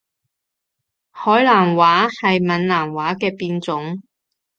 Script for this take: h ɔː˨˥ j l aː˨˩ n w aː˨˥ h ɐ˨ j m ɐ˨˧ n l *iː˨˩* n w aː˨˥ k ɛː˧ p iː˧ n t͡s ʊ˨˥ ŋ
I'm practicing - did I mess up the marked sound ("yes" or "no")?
yes